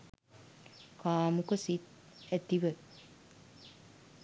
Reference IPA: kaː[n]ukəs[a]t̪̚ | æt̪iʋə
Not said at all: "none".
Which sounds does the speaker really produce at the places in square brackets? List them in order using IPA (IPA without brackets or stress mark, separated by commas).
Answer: m, i